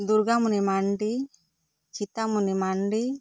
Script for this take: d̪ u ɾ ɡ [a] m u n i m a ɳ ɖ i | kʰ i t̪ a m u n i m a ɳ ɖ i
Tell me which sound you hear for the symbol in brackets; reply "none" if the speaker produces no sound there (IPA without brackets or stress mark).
a